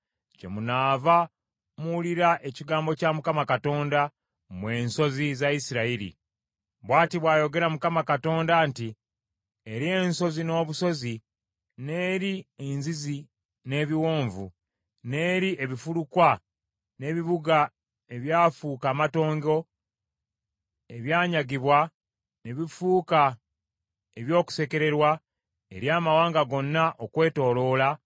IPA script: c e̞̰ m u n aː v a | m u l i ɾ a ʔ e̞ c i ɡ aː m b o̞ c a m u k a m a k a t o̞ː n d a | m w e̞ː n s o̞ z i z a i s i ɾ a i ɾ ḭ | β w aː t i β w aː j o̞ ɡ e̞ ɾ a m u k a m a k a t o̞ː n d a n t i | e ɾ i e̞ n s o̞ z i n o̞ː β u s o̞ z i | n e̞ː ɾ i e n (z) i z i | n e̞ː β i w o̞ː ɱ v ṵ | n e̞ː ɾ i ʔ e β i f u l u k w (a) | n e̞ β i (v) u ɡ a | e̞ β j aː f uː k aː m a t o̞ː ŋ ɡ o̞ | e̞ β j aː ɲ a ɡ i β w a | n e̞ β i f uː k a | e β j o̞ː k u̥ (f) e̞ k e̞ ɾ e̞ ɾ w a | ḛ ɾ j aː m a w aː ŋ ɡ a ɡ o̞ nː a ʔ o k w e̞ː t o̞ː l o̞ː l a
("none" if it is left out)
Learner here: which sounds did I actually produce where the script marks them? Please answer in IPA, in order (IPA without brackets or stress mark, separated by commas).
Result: z, a, β, s